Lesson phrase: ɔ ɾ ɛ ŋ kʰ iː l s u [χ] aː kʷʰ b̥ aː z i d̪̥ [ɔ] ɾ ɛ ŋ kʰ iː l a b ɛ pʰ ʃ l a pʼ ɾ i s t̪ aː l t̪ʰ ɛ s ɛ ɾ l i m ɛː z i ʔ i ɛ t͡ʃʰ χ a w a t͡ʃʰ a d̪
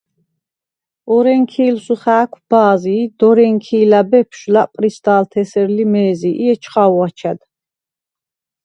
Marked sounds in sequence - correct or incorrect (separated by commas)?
correct, correct